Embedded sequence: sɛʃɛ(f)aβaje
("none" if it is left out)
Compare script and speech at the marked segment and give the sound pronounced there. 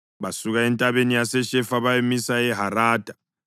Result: f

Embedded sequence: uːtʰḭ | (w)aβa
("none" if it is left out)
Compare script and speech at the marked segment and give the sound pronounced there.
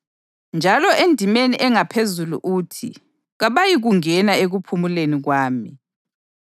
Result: ɣ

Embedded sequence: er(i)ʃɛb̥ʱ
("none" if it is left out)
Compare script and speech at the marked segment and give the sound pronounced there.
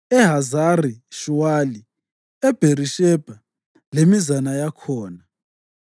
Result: i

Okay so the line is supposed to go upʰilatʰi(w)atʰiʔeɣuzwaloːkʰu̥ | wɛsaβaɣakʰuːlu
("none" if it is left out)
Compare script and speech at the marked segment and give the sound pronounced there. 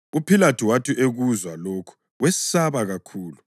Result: w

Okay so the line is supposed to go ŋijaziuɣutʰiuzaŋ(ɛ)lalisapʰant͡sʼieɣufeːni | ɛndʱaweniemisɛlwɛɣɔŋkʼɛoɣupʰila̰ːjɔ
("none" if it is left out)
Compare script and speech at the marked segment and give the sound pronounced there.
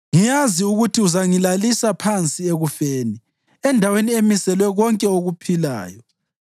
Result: i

